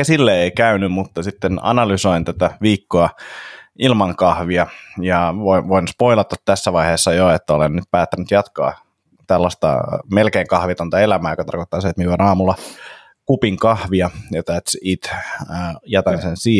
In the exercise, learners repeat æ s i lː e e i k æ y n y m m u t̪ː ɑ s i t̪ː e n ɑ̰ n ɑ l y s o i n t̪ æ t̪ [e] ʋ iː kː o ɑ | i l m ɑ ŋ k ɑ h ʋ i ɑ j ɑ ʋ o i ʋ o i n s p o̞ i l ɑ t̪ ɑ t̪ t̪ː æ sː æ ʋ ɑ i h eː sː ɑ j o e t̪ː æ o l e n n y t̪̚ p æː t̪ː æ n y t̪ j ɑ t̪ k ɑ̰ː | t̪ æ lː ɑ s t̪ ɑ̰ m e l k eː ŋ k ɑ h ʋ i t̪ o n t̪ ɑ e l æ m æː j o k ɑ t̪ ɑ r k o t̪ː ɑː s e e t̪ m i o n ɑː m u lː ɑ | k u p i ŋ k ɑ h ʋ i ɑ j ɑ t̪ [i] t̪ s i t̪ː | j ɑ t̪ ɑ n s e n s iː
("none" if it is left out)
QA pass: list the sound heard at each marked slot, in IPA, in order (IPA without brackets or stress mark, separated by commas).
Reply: æ, æ